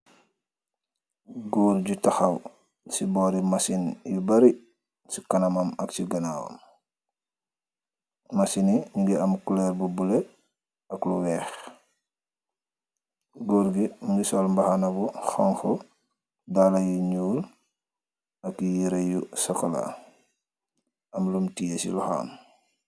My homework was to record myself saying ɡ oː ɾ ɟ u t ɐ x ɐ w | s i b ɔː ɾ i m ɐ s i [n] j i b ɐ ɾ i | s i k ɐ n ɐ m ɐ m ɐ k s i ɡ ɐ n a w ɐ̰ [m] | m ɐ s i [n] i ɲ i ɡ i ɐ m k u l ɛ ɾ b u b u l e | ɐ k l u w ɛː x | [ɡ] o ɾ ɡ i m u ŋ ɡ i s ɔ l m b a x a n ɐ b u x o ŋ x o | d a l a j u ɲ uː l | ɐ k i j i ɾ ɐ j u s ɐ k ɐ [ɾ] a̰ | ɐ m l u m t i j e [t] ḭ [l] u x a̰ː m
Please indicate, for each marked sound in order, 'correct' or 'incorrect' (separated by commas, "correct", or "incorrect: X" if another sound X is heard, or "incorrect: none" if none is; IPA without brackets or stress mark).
correct, correct, correct, correct, incorrect: l, incorrect: s, correct